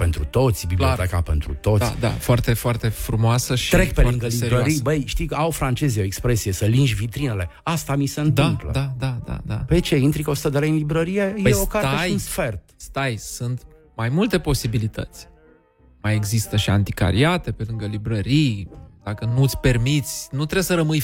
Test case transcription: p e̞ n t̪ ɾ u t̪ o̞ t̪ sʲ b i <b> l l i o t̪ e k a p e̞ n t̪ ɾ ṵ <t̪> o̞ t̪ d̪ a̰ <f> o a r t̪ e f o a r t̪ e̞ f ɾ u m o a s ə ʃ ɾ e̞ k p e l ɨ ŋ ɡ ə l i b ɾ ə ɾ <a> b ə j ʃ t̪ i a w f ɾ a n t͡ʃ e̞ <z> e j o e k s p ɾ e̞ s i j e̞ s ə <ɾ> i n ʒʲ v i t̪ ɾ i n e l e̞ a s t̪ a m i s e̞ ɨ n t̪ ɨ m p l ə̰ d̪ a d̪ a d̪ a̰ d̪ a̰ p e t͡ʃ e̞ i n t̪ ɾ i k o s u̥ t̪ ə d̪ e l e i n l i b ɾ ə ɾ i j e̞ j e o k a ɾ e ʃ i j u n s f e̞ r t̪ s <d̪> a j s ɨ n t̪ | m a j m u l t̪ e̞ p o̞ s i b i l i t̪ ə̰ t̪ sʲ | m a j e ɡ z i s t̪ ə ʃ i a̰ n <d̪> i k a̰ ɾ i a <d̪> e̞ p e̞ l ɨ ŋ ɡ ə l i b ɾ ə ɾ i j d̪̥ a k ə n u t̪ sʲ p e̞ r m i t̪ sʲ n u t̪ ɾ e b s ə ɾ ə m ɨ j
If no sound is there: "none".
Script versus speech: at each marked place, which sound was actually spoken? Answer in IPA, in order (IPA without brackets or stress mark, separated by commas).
b, t̪, f, i, z, l, t̪, t̪, t̪